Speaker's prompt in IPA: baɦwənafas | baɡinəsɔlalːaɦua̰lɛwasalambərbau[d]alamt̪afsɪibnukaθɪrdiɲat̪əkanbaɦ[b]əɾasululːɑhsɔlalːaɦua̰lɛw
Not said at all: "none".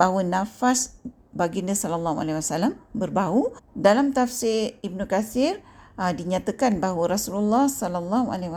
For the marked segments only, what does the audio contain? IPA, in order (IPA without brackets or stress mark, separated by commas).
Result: d, w